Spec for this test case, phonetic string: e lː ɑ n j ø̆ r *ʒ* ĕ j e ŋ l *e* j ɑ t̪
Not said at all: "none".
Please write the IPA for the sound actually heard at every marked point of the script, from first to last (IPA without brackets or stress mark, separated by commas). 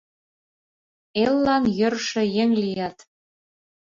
ʃ, i